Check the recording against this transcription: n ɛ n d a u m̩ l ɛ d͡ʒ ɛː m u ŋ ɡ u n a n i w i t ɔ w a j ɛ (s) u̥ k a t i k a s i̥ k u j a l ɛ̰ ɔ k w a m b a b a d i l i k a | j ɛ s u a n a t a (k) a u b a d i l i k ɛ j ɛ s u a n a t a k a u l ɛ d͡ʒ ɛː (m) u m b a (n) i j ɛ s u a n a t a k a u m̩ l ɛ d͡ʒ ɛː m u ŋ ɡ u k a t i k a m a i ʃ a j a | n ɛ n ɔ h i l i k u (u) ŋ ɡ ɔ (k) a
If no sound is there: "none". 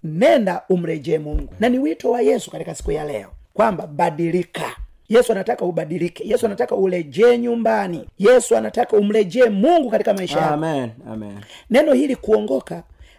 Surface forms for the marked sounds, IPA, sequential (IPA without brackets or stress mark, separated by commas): s, k, ɲ, n, ɔ, k